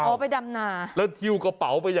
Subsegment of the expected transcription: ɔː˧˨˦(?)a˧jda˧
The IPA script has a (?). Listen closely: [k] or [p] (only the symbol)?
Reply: p